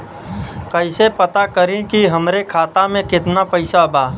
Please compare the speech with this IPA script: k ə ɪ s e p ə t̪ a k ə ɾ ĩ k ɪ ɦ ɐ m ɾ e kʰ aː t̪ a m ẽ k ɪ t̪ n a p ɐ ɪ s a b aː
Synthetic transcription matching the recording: k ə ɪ s e p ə t̪ a k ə ɾ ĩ k i ɦ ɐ m ɾ e kʰ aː t̪ a m ẽ k ɪ t̪ n a p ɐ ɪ s a b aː